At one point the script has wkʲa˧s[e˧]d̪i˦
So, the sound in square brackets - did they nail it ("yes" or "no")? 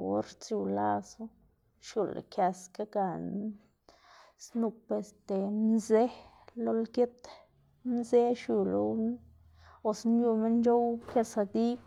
no